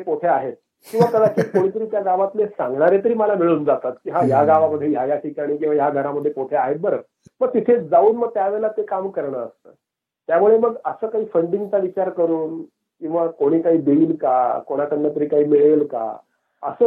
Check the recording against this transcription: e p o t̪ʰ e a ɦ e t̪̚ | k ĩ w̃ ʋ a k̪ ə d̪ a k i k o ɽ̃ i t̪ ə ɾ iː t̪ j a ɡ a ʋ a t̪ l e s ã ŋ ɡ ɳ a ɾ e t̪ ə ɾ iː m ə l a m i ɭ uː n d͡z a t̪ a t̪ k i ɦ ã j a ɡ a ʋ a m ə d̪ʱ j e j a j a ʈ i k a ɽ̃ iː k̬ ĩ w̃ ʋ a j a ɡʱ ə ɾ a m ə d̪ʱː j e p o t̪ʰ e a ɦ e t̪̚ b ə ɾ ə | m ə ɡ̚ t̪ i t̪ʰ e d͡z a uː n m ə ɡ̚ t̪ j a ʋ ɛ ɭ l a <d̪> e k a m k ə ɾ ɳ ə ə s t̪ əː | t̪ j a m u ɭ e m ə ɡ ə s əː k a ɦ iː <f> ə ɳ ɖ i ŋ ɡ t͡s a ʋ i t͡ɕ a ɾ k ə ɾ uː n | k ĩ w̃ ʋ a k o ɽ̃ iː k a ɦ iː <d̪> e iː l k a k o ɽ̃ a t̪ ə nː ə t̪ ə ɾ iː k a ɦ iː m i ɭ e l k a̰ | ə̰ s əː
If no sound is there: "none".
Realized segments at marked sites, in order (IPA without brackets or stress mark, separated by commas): t̪, f, d̪